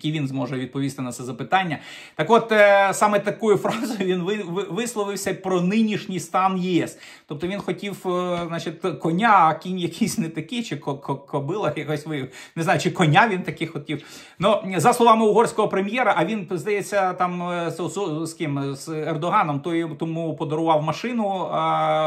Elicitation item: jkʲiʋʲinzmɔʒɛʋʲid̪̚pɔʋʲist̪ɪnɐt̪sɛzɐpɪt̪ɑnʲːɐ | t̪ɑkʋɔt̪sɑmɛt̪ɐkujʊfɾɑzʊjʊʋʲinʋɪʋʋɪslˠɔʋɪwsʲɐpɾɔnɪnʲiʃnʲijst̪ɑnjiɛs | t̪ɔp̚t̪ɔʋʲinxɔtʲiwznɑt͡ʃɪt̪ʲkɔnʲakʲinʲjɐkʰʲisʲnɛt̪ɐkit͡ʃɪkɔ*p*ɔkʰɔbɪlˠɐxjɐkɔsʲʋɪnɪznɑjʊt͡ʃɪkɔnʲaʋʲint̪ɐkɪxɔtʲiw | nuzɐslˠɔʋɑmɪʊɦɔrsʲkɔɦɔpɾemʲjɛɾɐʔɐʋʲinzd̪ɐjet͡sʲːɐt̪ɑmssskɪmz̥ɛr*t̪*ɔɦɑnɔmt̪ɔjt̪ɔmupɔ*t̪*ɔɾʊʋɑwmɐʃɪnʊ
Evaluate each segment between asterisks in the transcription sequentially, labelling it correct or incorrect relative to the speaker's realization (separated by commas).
incorrect, incorrect, incorrect